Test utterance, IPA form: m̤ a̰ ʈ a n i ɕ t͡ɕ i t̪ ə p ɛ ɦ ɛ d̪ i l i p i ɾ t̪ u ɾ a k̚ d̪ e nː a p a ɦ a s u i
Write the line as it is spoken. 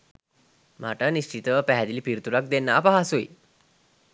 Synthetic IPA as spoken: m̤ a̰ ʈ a n i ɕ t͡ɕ i t̪ ə p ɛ ɦ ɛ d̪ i l i p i ɾ t̪ u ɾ a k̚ d̪ e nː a p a ɦ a s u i